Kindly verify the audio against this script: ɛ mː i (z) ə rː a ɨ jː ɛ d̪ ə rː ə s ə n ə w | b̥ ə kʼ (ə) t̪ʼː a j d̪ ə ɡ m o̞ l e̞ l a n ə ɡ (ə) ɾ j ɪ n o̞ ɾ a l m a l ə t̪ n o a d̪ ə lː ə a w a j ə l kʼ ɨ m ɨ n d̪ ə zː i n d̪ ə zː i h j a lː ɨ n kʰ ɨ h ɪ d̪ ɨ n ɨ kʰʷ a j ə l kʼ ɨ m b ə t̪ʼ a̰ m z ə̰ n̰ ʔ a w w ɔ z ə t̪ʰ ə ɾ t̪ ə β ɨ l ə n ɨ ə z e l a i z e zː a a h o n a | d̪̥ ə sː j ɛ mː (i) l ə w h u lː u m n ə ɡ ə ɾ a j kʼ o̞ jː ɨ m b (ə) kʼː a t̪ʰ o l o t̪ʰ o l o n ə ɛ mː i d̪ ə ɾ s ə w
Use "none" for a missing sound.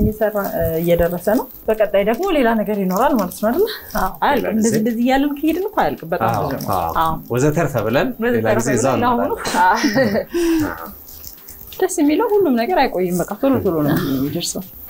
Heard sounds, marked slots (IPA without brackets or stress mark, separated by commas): s, ə, ə, i, ə